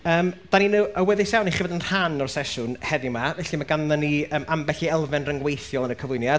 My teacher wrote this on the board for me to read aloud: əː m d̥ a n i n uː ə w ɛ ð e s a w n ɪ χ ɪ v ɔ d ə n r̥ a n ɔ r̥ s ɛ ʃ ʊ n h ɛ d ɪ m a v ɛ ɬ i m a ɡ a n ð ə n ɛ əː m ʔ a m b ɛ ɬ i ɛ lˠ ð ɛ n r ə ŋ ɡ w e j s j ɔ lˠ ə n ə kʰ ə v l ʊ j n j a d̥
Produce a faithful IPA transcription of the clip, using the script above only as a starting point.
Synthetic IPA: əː m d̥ a n i n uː ə w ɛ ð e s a w n i χ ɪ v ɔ d ə n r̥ a n ɔ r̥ s ɛ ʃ ʊ n h ɛ d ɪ m a v ɛ ɬ i m a ɡ a n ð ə n i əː m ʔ a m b ɛ ɬ i ɛ lˠ v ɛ n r ə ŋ ɡ w e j θ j ɔ lˠ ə n ə kʰ ə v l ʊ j n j a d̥